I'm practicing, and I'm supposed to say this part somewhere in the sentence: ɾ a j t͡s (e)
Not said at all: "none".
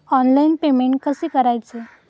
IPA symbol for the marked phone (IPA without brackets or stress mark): e